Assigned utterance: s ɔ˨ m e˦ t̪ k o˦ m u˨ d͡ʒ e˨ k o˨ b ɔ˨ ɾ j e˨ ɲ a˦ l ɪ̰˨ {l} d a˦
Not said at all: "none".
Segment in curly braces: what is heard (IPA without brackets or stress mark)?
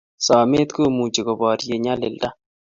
l